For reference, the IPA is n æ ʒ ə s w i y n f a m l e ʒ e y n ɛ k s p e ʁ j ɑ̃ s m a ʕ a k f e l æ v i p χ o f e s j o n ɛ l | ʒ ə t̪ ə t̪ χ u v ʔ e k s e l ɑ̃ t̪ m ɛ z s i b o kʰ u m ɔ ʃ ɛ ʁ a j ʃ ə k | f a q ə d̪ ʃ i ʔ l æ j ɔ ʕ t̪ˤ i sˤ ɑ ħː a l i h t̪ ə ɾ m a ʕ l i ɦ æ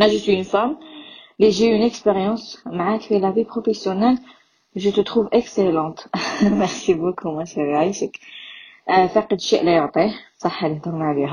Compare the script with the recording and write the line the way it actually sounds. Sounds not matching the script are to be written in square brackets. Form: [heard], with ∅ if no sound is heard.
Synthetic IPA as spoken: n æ ʒ ə s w i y n f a m l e ʒ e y n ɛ k s p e ʁ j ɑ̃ s m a ʕ a k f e l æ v i p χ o f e s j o n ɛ l | ʒ ə t̪ ə t̪ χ u v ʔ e k s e l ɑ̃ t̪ m ɛ [ʁ] s i b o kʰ u m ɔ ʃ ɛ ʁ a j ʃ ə k | f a q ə d̪ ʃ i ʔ l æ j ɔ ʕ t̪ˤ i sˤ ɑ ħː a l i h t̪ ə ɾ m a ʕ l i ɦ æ